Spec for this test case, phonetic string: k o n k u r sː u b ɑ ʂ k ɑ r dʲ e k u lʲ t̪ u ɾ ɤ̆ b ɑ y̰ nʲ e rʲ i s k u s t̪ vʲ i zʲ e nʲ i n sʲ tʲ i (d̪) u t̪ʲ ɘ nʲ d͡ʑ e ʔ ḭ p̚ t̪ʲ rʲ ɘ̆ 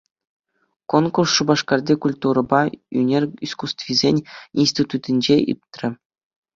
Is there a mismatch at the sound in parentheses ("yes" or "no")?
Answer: yes